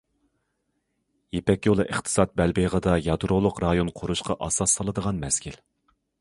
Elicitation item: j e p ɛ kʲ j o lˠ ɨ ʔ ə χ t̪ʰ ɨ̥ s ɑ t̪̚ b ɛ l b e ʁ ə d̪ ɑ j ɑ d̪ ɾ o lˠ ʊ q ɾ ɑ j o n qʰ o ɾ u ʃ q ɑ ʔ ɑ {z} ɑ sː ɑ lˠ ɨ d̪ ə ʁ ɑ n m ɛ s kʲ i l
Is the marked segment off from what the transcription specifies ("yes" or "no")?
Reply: yes